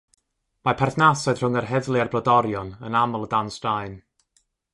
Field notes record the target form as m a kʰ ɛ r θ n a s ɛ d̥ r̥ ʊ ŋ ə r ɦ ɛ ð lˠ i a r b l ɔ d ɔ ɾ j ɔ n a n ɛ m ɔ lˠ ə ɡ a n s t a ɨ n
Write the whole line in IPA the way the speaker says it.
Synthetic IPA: m a pʰ ɛ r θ n a s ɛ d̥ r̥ ʊ ŋ ə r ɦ ɛ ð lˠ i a r b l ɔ d ɔ ɾ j ɔ n ə n a m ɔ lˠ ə d a n s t a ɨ n